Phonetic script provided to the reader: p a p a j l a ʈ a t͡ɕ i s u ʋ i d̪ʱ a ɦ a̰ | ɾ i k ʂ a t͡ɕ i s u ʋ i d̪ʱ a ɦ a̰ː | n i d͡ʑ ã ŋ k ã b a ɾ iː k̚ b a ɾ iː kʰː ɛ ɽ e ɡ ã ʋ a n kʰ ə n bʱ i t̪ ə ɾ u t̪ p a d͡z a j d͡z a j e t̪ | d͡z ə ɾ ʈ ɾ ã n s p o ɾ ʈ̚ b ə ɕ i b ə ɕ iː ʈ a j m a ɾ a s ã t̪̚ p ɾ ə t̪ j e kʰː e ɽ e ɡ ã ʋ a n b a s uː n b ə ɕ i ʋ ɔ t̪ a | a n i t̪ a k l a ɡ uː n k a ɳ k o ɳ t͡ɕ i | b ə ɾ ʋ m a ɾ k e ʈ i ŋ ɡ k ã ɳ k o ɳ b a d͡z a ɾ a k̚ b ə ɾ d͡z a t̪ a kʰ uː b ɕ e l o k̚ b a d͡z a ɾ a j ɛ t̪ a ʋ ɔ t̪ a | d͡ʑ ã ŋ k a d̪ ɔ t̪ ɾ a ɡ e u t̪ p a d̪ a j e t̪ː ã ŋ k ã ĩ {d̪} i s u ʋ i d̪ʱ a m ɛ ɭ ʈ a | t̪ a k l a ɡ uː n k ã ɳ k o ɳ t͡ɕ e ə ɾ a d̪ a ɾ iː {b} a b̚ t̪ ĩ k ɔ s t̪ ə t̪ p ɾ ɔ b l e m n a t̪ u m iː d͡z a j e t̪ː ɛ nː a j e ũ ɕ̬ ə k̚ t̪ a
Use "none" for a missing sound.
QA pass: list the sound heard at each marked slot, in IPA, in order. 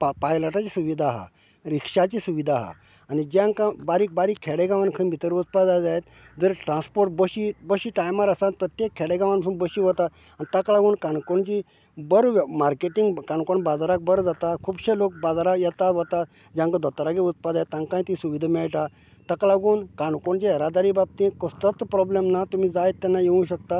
t̪, b

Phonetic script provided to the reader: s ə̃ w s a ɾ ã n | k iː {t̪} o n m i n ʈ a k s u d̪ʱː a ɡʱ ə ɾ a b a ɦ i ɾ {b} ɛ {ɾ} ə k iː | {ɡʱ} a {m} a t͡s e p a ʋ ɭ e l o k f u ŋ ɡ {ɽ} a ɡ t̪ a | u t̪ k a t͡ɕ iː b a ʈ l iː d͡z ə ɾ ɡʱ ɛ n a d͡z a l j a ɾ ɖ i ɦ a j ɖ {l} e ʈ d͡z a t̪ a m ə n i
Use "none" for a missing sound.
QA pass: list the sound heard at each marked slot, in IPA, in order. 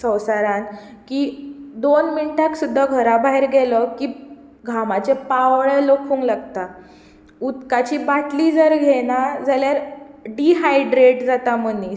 d̪, ɡ, l, ɡʱ, m, l, ɾ

